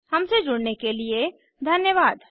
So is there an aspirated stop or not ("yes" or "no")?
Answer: no